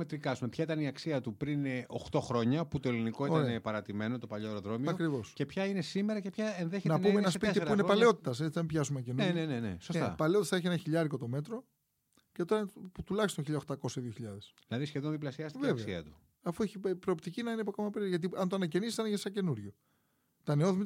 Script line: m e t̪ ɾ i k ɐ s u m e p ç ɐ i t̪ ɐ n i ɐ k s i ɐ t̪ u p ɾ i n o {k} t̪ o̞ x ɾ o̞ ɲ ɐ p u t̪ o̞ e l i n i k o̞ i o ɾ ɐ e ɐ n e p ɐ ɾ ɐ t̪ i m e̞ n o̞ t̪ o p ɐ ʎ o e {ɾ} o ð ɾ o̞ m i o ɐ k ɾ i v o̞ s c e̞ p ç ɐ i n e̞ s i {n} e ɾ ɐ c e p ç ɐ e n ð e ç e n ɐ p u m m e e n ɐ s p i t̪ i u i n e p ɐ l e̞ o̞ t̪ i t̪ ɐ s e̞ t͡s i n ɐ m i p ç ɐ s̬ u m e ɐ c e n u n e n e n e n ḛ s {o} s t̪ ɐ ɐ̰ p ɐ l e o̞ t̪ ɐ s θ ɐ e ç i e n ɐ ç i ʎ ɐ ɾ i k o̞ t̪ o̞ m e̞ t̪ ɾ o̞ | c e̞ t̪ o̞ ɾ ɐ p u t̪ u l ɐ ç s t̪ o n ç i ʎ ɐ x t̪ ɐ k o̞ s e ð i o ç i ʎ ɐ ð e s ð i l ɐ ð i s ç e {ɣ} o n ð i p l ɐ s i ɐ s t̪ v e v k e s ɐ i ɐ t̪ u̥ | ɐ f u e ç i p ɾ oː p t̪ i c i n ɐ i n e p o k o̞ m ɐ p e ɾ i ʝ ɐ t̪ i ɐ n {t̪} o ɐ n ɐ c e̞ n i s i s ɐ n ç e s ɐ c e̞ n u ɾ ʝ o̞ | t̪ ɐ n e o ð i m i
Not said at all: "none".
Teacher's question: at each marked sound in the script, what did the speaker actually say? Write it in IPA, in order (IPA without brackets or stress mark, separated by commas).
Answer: x, ɾ, m, o, ð, t̪